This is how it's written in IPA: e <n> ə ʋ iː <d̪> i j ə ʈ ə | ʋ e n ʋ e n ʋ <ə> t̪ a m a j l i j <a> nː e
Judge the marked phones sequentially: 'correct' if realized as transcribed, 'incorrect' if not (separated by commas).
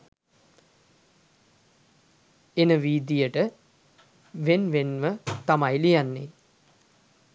correct, correct, correct, correct